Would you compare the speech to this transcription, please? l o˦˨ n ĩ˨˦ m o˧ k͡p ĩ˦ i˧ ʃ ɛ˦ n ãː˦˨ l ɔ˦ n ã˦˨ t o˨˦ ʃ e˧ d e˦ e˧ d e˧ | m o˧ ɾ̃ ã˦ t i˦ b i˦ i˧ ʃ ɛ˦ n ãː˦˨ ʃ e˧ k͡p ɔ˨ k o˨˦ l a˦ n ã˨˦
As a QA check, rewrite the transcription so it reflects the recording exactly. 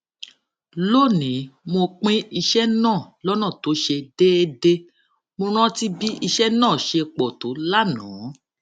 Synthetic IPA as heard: l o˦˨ n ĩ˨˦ m o˧ k͡p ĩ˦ i˧ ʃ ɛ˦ n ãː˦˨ l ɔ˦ n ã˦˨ t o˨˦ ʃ e˧ d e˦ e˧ d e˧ | m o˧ ɾ̃ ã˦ t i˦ b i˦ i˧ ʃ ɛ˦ n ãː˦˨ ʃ e˧ k͡p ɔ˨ t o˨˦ l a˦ n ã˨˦